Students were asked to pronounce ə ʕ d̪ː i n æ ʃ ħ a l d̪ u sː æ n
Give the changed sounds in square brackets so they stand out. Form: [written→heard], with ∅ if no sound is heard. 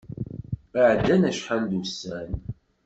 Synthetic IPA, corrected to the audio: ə ʕ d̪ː [i→æ] n æ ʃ ħ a l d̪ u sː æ n